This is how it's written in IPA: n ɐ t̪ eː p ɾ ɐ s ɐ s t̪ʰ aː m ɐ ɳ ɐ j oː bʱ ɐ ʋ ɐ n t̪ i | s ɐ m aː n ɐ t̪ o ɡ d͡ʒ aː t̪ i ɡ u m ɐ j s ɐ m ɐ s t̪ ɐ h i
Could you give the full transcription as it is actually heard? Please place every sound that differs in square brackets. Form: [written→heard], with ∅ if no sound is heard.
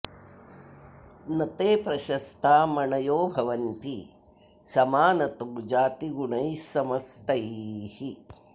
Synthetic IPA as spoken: n ɐ t̪ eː p ɾ ɐ [s→ʃ] ɐ s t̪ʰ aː m ɐ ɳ ɐ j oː bʱ ɐ ʋ ɐ n t̪ i | s ɐ m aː n ɐ t̪ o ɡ d͡ʒ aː t̪ i ɡ u [m→ɳ] ɐ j s ɐ m ɐ s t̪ ɐ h i